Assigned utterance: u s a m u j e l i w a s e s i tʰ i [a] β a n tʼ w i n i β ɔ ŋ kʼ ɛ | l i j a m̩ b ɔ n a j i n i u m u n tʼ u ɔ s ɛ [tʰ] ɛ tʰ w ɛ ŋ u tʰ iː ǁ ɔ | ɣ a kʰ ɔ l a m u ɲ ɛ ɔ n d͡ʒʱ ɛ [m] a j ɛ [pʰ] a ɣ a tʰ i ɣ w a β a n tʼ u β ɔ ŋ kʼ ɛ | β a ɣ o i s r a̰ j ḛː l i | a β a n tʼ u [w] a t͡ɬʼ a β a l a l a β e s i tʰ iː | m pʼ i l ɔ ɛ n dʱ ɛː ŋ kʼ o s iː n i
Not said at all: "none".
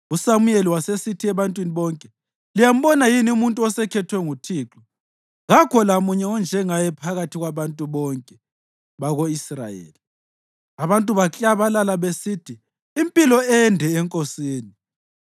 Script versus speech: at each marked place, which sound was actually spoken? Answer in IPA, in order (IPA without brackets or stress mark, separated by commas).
ɛ, kʰ, ŋ, pʰ, β